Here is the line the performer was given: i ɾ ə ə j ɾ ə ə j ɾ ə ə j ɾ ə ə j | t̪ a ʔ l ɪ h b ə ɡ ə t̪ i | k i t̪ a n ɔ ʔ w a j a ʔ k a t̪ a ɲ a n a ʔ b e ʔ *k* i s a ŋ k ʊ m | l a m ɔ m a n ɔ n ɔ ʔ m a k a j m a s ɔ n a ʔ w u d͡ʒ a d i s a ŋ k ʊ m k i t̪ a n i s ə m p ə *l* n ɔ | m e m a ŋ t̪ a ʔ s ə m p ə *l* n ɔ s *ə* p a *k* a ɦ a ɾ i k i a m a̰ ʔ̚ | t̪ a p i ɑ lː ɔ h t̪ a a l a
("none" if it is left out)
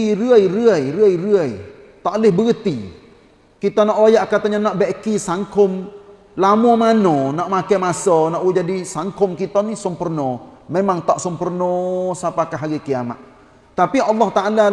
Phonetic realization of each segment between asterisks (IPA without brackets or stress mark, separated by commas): k, r, r, a, k